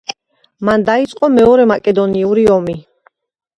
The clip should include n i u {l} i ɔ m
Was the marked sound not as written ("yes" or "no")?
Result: yes